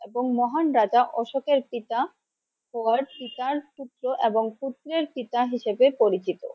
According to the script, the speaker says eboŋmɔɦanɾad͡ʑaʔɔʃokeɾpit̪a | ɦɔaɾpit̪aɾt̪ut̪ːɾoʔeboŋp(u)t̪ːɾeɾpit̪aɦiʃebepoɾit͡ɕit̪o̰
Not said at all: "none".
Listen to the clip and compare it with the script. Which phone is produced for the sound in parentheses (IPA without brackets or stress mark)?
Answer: u